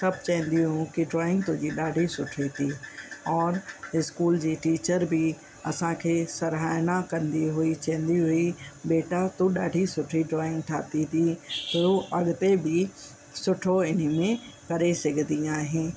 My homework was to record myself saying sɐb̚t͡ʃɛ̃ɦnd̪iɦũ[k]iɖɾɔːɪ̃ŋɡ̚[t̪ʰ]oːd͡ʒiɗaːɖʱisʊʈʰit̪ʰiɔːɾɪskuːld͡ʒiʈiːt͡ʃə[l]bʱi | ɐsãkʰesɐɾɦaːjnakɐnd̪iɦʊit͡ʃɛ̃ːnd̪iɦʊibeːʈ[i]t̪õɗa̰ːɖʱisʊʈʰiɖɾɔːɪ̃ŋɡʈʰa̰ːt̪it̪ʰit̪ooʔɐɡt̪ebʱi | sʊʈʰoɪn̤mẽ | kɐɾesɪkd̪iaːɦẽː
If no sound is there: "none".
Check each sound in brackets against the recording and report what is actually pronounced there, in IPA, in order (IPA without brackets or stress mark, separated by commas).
k, t̪, ɾ, a